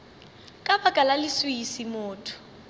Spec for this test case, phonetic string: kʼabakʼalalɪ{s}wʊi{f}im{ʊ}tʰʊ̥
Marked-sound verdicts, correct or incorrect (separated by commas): correct, incorrect, incorrect